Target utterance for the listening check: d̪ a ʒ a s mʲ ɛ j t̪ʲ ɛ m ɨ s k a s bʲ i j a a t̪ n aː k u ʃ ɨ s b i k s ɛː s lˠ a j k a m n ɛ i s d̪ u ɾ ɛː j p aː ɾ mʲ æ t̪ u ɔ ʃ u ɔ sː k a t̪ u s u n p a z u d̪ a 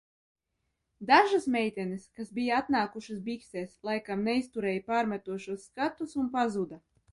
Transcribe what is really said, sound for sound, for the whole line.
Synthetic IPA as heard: d̪ a ʒ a s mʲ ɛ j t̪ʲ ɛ n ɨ s k a s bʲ i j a a t̪ n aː k u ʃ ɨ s b i k s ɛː s lˠ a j k a m n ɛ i s t̪ u ɾ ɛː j p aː ɾ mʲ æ t̪ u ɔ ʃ u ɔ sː k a t̪ u s u n p a z u d̪ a